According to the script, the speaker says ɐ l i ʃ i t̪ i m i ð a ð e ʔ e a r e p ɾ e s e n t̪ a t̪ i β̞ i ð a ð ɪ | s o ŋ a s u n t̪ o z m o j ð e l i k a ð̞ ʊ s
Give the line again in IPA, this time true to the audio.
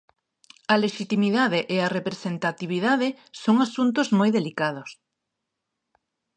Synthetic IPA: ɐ l e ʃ i t̪ i m i ð a ð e ʔ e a r e p ɾ e s e n t̪ a t̪ i β̞ i ð a ð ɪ | s o ŋ a s u n t̪ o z m o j ð e l i k a ð̞ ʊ s